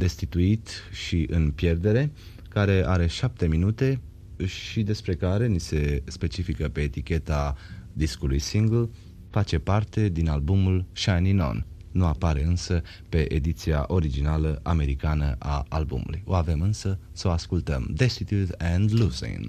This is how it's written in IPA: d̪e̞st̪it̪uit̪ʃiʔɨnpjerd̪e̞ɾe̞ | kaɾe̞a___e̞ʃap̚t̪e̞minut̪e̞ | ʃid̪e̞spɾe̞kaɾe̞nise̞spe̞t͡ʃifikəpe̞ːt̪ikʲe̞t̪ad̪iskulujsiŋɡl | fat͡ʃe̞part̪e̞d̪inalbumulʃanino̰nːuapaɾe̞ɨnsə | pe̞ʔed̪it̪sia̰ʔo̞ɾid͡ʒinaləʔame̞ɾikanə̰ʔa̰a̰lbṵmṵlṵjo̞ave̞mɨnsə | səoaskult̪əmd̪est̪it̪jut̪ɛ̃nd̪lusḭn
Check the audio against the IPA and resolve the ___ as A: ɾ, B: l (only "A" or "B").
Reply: A